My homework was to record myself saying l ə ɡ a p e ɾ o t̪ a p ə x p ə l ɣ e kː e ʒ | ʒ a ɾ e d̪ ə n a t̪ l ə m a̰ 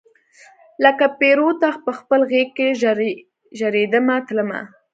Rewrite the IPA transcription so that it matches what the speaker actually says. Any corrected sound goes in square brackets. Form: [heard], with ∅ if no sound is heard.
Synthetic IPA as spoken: l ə [k] a p e ɾ o t̪ a p ə x p ə l ɣ e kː e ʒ | ʒ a ɾ e d̪ ə [m] a t̪ l ə m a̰